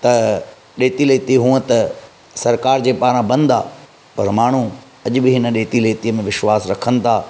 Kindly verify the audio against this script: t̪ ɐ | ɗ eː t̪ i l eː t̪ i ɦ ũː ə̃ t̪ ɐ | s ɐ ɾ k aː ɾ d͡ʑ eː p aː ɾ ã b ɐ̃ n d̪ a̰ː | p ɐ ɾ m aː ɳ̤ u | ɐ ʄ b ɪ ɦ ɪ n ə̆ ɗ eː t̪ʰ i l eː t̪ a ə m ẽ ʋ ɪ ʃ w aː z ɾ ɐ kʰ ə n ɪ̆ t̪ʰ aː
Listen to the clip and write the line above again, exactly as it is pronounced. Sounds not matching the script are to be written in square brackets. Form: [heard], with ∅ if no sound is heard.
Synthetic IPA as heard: t̪ ɐ | ɗ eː t̪ i l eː t̪ i ɦ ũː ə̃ t̪ ɐ | s ɐ ɾ k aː ɾ d͡ʑ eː p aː ɾ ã b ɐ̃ n d̪ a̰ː | p ɐ ɾ m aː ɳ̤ u | ɐ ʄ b ɪ ɦ ɪ n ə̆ ɗ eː [t̪] i l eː t̪ [i] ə m ẽ ʋ ɪ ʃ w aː [s] ɾ ɐ kʰ ə n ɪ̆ t̪ʰ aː